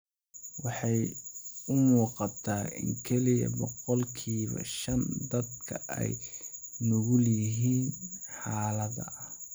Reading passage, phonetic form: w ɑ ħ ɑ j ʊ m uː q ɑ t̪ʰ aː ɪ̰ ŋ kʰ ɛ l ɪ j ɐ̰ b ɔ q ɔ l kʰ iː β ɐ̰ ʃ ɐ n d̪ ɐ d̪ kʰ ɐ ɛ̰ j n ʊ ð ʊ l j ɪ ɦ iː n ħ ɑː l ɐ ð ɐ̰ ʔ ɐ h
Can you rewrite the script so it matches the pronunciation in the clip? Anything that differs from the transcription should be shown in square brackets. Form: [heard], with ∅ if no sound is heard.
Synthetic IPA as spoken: w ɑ ħ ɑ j ʊ m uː q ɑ t̪ʰ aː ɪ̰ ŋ kʰ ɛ l ɪ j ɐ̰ b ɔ q ɔ l kʰ iː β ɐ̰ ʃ ɐ n d̪ ɐ d̪ kʰ ɐ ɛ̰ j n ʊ [ɣ] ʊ l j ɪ ɦ iː n ħ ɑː l ɐ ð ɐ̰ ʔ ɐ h